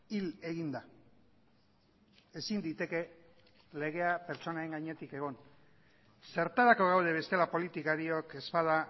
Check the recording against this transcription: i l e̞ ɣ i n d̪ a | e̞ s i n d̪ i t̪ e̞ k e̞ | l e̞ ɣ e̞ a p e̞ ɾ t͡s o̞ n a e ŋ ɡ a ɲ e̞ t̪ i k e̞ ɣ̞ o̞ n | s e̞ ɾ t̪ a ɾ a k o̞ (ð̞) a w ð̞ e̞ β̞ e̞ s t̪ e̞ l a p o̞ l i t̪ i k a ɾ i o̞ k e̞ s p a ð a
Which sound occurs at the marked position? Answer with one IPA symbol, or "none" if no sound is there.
ɣ̞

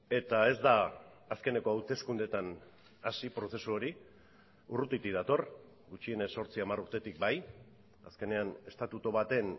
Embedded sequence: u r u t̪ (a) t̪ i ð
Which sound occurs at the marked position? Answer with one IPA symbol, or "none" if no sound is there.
i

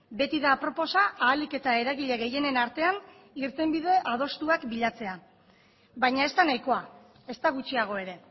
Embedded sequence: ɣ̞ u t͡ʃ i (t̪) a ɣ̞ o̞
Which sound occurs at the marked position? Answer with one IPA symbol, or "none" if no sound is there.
none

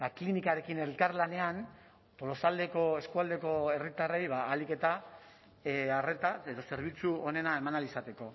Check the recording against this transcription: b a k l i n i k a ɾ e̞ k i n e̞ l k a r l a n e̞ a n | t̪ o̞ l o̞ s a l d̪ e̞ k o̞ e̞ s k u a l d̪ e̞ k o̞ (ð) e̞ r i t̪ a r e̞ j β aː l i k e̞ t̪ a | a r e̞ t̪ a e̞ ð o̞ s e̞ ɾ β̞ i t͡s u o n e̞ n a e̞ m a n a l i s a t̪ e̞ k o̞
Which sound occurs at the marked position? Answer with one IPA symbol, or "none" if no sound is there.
none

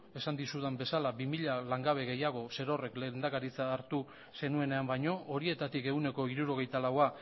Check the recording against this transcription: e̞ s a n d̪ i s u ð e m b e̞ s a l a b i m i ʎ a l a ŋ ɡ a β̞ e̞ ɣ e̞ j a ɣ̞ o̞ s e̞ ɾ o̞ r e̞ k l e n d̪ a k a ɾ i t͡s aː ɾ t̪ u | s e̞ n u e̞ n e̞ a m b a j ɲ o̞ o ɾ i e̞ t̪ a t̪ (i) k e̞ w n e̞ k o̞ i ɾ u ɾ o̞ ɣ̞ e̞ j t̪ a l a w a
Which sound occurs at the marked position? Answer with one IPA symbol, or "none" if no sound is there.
i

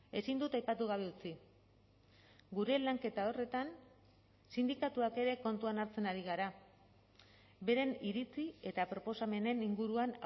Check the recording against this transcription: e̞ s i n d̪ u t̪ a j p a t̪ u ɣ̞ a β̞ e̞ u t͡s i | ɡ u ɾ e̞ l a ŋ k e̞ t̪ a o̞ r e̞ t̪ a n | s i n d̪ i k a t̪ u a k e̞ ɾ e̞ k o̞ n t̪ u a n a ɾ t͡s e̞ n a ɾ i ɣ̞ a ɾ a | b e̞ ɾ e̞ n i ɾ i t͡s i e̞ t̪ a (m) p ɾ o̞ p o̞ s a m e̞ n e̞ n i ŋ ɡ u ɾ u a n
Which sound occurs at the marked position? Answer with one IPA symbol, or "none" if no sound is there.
none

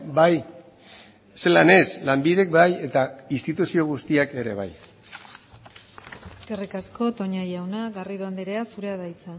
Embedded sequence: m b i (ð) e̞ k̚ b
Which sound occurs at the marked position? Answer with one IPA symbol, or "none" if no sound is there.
ð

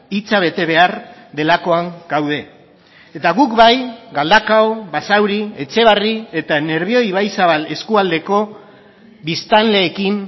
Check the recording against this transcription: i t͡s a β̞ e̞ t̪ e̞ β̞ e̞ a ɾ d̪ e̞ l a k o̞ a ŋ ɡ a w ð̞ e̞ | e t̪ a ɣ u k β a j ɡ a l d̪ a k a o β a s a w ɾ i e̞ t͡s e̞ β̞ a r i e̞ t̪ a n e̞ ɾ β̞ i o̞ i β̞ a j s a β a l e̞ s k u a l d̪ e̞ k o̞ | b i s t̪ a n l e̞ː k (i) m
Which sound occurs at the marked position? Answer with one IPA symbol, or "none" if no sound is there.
i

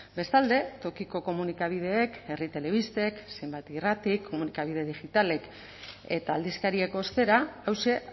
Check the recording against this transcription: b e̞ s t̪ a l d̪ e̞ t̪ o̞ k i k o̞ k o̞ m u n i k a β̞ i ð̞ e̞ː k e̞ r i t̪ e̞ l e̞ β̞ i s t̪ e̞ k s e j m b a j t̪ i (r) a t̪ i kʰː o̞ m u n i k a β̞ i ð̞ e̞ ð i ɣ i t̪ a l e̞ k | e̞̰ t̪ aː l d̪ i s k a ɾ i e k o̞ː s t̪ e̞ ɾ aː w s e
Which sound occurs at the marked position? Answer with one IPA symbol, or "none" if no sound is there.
r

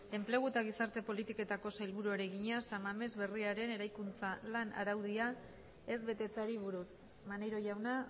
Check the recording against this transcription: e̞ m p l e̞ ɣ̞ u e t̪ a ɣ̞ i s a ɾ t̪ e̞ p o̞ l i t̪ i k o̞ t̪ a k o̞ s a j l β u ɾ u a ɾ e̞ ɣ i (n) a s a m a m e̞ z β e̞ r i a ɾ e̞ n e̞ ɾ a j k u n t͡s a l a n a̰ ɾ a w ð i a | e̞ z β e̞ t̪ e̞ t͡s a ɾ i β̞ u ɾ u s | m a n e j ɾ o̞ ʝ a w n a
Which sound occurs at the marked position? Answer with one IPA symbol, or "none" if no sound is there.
ɲ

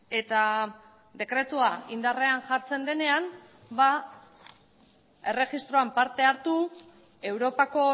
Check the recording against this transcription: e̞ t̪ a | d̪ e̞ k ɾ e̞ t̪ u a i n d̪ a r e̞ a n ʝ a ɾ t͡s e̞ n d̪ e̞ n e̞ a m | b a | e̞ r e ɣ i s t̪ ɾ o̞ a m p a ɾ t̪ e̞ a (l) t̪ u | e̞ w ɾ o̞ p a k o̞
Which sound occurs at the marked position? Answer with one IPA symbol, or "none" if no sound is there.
ɾ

